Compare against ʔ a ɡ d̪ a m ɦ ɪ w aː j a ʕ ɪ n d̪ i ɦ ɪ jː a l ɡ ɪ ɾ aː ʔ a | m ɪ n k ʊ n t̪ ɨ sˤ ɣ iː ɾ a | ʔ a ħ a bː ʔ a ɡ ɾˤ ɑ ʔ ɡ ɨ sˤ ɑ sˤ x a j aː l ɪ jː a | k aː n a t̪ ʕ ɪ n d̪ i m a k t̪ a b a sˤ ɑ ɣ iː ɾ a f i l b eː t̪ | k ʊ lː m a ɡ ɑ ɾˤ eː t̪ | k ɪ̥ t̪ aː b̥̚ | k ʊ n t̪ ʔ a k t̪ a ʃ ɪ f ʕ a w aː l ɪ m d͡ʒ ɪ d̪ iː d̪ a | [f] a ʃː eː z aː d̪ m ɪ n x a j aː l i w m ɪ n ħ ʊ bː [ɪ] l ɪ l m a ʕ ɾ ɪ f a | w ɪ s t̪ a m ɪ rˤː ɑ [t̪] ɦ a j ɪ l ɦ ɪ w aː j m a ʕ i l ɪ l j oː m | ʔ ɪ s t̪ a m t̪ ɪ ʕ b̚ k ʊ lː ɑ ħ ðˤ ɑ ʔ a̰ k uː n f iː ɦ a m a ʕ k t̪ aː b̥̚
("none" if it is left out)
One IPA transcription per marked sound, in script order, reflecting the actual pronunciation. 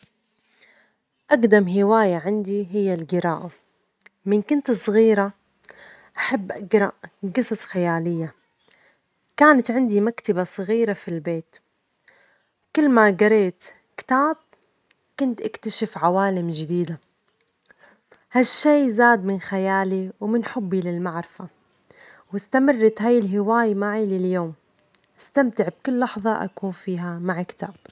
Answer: h, i, t̪

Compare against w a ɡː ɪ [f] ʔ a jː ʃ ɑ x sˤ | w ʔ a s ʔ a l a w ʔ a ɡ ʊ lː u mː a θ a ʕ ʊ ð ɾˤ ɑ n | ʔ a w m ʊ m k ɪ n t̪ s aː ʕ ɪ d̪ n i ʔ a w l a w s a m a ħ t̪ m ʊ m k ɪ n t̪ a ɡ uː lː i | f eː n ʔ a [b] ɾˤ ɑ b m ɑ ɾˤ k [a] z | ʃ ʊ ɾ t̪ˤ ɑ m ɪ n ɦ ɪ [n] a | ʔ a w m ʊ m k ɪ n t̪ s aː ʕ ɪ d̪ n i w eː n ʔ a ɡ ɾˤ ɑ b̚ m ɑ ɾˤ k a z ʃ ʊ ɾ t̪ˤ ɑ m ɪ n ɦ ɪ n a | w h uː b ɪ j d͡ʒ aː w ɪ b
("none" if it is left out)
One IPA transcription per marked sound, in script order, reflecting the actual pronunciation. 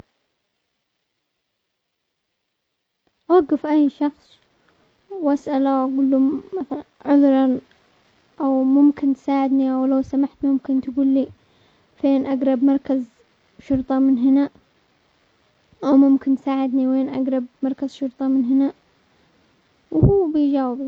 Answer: f, ɡ, a, n

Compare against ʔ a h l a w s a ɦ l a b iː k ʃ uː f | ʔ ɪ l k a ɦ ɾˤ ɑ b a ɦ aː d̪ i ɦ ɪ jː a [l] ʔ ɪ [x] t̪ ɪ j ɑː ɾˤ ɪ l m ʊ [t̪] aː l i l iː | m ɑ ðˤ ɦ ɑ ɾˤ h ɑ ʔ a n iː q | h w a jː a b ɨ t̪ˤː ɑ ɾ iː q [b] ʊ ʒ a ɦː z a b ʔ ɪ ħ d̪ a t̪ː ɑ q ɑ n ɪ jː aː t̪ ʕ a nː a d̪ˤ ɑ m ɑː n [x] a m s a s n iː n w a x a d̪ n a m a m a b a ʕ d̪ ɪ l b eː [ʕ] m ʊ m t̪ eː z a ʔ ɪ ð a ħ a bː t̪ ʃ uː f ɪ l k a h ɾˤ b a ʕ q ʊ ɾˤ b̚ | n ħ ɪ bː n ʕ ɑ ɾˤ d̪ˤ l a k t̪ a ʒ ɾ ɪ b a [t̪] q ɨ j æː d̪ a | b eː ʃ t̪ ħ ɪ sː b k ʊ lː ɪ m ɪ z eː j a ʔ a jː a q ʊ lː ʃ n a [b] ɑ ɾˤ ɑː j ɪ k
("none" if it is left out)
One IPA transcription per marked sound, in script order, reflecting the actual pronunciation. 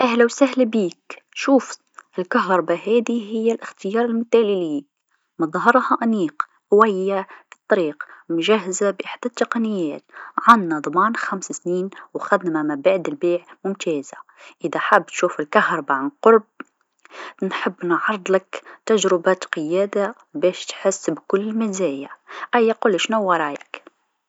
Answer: l, x, t̪, m, x, ʕ, t̪, w

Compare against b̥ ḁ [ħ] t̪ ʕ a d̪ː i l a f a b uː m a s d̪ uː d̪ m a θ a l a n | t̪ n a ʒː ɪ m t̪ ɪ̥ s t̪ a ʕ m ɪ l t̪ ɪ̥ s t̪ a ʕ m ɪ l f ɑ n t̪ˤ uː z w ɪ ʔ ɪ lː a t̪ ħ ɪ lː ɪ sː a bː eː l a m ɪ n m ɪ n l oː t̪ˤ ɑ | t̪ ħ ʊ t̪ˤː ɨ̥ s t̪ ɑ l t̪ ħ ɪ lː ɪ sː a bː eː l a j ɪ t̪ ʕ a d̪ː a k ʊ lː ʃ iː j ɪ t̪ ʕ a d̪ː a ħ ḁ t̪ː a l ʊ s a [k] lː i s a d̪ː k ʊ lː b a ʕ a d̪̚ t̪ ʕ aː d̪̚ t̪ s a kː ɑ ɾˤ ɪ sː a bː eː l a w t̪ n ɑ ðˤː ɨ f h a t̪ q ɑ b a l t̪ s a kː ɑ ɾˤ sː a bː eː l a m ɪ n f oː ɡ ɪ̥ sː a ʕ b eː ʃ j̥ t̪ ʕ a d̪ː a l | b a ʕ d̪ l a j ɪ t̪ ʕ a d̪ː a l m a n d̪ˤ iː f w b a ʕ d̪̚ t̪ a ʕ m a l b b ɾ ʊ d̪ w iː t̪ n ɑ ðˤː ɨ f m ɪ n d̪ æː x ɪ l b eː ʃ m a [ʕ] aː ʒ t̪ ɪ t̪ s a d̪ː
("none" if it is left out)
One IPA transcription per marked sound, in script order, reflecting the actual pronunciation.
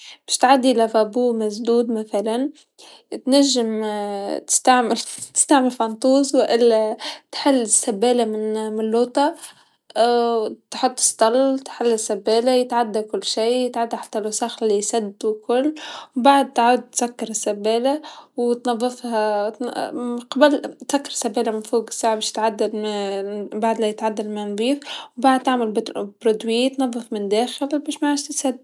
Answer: ʃ, x, ʕ

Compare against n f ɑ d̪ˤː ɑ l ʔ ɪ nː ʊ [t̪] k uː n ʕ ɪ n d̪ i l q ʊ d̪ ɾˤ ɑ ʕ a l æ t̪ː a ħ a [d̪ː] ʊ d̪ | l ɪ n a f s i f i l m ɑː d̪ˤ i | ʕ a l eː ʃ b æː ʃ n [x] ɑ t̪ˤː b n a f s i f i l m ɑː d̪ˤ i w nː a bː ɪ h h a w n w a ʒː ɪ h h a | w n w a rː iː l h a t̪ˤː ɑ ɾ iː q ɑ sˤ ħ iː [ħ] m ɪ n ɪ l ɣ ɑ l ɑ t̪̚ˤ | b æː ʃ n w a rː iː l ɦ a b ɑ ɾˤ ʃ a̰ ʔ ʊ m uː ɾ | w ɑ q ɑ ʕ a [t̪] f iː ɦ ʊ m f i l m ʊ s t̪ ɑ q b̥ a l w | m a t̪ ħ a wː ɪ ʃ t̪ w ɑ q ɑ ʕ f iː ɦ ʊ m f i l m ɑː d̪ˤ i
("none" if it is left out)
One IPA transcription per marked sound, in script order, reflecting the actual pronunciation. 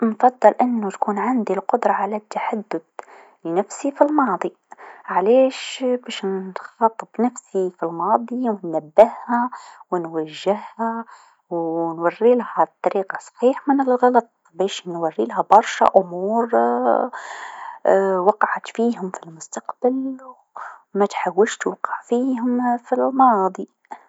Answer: t̪, d̪ː, x, ħ, t̪

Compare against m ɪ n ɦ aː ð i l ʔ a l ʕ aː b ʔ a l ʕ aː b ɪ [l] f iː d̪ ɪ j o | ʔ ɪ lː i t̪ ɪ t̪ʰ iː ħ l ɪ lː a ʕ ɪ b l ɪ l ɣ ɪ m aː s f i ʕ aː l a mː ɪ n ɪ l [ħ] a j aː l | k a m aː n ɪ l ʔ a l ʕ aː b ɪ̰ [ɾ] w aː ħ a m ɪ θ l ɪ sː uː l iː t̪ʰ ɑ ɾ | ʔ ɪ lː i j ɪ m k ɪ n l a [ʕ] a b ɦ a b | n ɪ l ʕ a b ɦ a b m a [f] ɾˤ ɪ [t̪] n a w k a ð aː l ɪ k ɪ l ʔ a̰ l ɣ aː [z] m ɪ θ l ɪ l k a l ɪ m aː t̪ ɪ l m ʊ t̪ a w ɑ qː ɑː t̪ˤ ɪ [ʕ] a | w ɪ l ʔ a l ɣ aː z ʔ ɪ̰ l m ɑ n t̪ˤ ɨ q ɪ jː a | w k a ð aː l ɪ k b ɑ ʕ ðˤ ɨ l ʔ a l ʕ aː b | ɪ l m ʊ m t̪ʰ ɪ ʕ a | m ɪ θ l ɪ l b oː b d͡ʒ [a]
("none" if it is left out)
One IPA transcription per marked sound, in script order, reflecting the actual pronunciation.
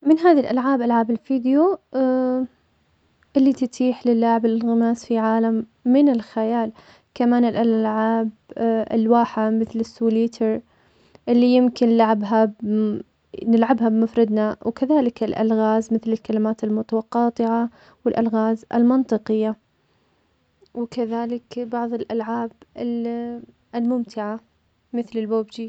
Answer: l, x, l, ʕ, f, d̪, z, ʕ, i

